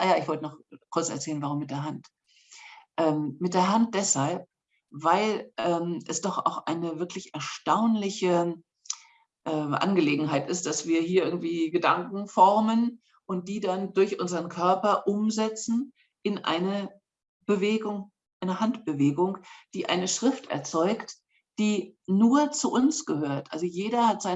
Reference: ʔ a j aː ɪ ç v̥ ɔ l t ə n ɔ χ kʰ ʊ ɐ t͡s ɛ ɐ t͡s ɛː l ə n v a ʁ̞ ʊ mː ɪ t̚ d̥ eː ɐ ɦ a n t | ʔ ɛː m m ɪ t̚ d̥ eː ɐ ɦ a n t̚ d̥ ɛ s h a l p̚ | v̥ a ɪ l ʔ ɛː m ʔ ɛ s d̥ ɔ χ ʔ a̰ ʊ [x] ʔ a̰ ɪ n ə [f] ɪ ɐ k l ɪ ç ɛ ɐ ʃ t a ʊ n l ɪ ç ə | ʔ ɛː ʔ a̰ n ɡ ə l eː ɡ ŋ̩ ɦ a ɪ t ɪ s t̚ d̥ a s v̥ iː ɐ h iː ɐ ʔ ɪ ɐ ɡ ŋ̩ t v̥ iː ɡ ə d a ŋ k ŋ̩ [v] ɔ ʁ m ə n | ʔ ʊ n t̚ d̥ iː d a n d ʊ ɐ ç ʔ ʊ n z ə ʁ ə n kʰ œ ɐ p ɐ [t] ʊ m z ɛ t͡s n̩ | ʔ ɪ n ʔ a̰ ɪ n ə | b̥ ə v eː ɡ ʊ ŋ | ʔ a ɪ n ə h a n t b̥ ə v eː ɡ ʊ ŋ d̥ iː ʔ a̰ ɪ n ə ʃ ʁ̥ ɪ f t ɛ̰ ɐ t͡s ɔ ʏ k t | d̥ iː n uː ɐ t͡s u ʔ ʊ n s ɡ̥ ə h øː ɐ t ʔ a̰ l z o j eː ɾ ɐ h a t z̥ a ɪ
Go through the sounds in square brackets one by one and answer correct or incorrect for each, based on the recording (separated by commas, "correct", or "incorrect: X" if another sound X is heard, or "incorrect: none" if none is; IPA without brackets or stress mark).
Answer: correct, incorrect: v, incorrect: f, incorrect: ʔ